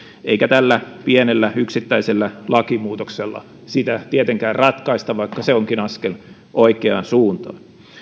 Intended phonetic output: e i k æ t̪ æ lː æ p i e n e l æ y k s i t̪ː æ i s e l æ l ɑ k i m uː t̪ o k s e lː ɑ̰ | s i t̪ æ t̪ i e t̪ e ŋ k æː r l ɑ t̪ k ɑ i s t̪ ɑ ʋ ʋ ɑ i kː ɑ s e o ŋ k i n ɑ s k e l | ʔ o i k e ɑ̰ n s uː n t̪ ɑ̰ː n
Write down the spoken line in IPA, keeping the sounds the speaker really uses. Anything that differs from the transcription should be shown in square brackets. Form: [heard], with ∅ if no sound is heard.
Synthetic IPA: e i k æ t̪ æ lː æ p i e n e [lː] æ y k s i t̪ː æ i s e [lː] æ l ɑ k i m uː t̪ o k s e lː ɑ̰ | s i t̪ æ t̪ i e t̪ e ŋ k æː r [r] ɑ t̪ k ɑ i s t̪ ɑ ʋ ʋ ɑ i kː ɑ s e o ŋ k i n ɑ s k e l | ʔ o i k e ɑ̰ n s uː n t̪ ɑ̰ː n